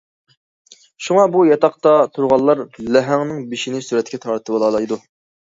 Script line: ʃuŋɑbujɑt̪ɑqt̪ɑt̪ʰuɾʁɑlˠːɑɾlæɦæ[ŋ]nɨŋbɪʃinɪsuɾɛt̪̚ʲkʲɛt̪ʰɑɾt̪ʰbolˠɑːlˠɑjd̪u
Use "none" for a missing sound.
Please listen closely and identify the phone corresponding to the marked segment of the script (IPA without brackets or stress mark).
ŋ